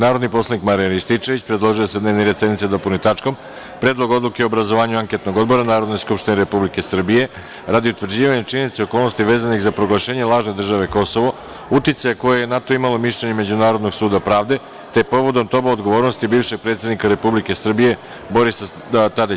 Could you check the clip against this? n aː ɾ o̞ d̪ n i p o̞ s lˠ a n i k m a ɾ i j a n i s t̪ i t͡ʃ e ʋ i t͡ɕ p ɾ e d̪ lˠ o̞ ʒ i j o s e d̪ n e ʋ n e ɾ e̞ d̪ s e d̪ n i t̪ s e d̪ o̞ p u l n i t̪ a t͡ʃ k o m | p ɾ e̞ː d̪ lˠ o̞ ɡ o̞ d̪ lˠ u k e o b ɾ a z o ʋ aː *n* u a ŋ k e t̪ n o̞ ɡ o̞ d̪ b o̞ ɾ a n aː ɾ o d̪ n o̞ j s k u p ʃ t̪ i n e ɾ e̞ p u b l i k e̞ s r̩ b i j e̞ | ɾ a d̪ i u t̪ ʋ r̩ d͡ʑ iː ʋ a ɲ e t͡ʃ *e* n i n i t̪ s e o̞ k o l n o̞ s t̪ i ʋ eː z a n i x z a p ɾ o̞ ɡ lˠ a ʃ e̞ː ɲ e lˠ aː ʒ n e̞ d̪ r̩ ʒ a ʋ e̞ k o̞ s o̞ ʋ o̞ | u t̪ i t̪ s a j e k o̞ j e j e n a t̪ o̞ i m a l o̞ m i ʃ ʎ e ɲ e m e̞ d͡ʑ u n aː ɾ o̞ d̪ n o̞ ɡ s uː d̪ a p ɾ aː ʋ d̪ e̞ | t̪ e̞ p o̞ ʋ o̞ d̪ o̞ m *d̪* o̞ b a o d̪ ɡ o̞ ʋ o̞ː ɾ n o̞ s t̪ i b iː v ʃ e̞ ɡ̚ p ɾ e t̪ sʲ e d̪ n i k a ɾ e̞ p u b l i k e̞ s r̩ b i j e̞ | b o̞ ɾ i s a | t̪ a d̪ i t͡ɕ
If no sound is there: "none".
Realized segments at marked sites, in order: ɲ, i, t̪

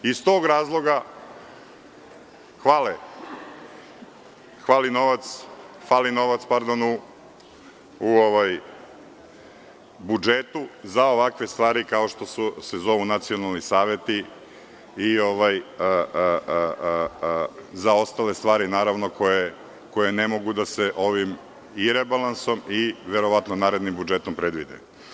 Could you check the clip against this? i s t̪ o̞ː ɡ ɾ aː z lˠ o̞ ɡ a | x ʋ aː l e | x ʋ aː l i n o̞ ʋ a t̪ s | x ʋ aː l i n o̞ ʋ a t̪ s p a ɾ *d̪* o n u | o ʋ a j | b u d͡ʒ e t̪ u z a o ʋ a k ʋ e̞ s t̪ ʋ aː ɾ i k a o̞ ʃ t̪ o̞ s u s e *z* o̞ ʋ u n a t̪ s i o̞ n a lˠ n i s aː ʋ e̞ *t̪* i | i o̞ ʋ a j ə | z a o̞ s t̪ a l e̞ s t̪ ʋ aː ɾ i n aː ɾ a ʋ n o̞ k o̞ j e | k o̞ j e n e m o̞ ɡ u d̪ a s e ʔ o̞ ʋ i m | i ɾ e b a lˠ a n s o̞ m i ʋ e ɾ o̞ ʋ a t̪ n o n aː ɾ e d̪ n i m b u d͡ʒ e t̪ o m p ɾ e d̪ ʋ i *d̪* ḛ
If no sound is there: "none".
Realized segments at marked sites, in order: d̪, z, t̪, d̪

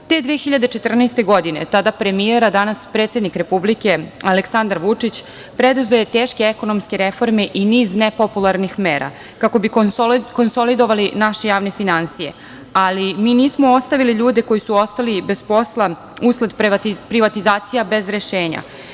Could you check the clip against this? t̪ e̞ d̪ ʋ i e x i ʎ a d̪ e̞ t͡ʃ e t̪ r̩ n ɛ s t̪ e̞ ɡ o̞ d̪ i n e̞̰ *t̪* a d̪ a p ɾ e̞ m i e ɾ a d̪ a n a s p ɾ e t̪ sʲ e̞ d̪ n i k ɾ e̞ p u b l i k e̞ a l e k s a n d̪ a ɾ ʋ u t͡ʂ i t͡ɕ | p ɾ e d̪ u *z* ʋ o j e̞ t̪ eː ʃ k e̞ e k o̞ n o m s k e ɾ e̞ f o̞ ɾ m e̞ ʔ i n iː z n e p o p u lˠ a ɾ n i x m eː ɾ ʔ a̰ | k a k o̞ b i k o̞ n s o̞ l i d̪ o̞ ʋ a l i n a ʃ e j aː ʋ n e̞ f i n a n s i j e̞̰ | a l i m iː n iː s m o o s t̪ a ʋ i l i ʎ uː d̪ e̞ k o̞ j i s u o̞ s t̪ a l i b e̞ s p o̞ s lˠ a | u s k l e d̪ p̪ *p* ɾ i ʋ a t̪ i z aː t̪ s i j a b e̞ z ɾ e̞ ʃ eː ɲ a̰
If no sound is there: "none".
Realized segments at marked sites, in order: t̪, z, p

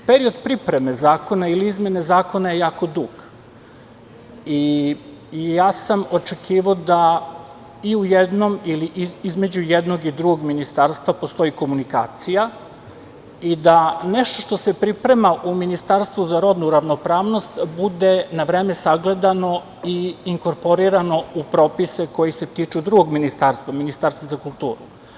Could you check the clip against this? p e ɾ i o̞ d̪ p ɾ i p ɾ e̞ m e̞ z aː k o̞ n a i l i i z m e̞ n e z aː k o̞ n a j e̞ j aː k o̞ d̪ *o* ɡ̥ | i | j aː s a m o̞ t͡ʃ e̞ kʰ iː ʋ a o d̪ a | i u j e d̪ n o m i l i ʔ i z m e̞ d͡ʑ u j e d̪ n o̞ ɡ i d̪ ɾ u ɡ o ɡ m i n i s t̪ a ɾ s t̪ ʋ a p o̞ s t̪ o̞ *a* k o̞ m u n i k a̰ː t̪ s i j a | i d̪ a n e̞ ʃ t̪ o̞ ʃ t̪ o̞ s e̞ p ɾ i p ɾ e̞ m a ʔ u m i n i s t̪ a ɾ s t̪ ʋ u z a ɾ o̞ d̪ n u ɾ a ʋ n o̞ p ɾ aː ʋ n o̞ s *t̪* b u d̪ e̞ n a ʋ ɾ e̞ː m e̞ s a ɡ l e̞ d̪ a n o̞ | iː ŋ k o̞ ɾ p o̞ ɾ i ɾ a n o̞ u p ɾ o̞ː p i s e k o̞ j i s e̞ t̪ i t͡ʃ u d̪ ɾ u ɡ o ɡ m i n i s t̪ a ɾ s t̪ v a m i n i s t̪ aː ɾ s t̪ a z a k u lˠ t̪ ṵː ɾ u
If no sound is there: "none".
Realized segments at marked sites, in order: u, i, t̪

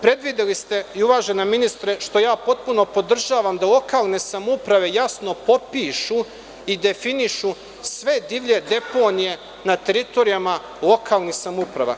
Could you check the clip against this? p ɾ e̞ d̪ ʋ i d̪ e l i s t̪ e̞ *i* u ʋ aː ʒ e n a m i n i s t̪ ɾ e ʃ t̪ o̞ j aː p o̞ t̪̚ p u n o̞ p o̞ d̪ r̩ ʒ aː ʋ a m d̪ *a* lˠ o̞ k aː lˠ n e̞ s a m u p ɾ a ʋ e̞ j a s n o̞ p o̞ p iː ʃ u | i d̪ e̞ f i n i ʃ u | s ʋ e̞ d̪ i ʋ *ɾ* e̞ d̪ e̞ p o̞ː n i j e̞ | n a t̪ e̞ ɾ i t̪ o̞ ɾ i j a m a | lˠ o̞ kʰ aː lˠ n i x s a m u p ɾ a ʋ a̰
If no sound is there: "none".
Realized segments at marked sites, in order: i, a, ʎ

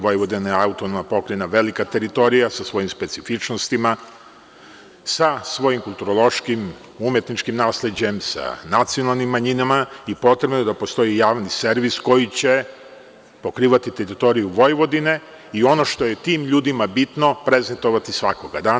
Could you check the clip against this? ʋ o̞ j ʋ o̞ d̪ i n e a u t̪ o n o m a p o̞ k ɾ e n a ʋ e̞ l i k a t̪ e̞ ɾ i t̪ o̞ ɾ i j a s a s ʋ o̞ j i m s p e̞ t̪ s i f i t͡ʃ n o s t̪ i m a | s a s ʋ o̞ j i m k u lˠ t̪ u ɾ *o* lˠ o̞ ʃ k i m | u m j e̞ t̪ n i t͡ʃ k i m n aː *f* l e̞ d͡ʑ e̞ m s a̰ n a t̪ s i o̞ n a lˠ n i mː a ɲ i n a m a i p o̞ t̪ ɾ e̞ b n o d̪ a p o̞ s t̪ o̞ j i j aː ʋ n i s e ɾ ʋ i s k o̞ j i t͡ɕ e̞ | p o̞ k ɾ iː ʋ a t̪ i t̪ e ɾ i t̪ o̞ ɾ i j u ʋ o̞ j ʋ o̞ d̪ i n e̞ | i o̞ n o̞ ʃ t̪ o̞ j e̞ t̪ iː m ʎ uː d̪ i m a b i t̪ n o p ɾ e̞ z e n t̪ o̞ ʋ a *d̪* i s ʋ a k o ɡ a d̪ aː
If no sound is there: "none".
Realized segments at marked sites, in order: o, s, t̪

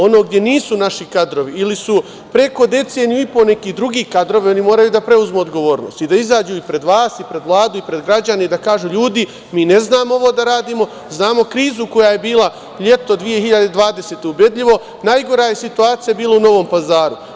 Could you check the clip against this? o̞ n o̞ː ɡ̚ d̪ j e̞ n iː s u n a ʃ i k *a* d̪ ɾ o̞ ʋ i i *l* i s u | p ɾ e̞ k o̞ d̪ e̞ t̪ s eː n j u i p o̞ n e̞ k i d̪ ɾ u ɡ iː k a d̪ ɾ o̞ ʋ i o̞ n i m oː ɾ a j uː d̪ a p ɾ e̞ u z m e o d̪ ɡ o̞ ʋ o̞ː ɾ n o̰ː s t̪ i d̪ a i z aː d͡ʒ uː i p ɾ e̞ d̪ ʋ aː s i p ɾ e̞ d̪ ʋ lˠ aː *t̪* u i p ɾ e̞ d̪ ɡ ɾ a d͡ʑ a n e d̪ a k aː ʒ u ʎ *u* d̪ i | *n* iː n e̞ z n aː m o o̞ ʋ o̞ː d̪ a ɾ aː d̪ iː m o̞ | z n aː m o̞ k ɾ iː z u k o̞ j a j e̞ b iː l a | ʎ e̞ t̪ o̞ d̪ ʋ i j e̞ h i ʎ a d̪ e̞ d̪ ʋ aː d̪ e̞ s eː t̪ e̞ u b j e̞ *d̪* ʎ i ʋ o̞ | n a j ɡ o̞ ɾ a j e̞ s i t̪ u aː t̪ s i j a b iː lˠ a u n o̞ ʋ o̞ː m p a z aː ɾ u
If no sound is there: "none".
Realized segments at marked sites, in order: a, l, d̪, uː, m, d̪

